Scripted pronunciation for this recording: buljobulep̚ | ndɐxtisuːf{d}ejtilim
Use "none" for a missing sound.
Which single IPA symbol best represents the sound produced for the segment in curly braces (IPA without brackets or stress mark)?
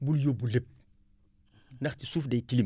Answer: d